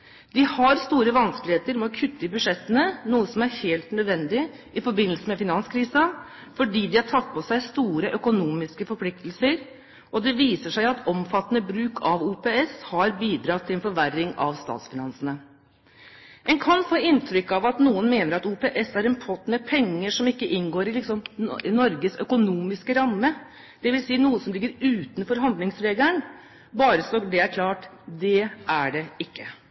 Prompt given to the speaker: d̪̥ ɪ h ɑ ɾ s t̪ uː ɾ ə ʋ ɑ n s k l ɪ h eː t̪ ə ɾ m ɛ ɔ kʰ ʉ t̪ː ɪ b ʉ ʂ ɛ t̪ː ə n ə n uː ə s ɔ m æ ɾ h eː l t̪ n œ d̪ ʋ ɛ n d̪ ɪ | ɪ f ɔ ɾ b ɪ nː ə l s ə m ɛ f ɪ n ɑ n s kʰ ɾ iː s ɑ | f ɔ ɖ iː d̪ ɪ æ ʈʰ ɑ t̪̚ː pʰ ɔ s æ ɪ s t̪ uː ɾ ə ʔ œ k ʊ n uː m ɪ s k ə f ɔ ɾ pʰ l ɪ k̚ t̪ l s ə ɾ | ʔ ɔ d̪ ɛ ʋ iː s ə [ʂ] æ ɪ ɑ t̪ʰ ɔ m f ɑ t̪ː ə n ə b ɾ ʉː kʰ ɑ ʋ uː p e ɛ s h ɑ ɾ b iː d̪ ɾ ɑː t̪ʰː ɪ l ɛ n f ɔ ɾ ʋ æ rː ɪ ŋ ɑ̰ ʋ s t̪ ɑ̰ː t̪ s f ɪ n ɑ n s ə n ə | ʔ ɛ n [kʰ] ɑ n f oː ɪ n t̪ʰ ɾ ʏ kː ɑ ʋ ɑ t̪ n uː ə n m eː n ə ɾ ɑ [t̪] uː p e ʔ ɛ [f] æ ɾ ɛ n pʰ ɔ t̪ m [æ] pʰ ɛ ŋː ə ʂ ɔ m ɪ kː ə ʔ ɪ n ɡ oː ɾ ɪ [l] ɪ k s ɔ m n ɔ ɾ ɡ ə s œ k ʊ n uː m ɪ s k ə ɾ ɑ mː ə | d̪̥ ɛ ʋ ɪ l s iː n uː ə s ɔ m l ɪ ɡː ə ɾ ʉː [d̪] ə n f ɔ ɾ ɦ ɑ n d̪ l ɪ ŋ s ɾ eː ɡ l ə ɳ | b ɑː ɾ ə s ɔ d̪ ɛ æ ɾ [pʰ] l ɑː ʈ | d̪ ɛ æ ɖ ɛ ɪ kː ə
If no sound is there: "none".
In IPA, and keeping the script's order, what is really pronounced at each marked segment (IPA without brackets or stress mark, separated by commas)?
ʂ, kʰ, t̪, s, ɛ, l, t̪, kʰ